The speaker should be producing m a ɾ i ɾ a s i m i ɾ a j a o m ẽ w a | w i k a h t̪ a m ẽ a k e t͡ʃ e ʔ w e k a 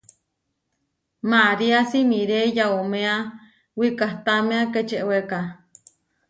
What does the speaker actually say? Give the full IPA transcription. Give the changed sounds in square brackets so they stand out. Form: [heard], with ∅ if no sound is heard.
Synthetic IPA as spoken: m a ɾ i [∅] a s i m i ɾ [e] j a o m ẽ [∅] a | w i k a h t̪ a m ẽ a k e t͡ʃ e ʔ w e k a